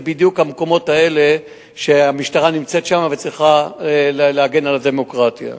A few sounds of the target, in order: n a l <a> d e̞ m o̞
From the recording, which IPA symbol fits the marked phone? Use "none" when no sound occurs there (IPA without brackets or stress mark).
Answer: a